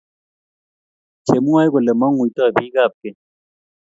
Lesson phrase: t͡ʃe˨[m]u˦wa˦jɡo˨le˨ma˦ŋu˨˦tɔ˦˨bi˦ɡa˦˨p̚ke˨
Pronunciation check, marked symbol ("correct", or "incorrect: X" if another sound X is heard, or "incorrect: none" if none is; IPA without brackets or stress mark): correct